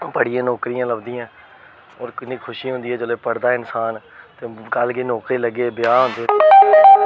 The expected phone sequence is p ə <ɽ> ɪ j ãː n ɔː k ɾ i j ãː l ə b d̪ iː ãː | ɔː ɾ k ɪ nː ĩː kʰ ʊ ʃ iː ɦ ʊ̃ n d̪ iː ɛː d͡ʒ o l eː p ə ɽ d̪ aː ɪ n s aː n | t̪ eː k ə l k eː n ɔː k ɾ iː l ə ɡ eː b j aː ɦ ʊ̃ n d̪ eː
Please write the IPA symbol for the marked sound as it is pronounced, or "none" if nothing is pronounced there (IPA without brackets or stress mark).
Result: ɽ